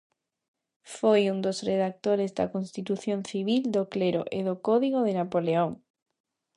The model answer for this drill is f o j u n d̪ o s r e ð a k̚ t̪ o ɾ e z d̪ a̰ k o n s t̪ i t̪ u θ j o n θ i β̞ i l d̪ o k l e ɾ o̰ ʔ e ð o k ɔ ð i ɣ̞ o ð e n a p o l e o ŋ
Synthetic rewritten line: f o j u n d̪ o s r e ð a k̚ t̪ o ɾ e z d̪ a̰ k o n s t̪ i t̪ u θ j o n θ i β̞ i l d̪ o k l e ɾ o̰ ʔ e ð o k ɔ ð i ɣ̞ o ð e n a p o l e o ŋ